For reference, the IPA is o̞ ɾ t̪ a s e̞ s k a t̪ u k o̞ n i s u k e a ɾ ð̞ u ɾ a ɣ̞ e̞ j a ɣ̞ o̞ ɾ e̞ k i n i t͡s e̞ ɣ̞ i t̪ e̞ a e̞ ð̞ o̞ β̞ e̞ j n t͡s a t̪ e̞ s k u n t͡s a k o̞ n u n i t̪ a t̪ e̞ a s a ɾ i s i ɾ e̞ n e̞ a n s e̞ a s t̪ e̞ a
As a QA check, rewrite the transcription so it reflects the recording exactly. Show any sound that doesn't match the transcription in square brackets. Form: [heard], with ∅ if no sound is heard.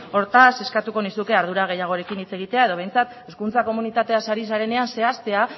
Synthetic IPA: o̞ ɾ t̪ a s e̞ s k a t̪ u k o̞ n i s u k e a ɾ ð̞ u ɾ a ɣ̞ e̞ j a ɣ̞ o̞ ɾ e̞ k i n i t͡s e̞ ɣ̞ i t̪ e̞ a e̞ ð̞ o̞ β̞ e̞ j n t͡s a t̪ e̞ s k u n t͡s a k o̞ [m] u n i t̪ a t̪ e̞ a s a ɾ i s [a] ɾ e̞ n e̞ a n s e̞ a s t̪ e̞ a